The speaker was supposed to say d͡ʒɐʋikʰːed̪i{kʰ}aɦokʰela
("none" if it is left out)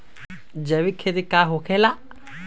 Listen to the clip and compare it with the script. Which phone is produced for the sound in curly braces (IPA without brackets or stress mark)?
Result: k